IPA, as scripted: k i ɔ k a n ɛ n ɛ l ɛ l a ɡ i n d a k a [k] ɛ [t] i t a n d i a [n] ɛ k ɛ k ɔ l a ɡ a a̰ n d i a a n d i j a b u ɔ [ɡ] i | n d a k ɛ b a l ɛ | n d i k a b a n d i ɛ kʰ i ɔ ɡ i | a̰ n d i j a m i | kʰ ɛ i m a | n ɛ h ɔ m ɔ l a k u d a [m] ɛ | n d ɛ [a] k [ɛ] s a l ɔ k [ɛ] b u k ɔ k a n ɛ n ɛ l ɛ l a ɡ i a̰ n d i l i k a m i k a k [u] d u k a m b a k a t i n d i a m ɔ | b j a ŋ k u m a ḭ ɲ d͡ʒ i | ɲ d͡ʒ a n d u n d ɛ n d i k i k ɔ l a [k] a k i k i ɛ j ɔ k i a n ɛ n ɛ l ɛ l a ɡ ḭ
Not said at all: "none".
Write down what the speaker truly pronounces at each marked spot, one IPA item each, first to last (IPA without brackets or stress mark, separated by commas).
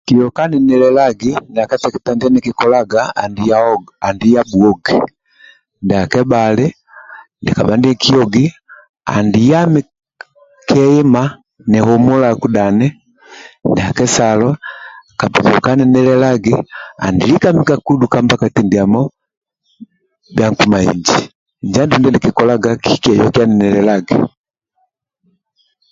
t, k, n, ɡ, n, a, ɛ, a, u, ɡ